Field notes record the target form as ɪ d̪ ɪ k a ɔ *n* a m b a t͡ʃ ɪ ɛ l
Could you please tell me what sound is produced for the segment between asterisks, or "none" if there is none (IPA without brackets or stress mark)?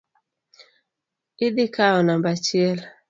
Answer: n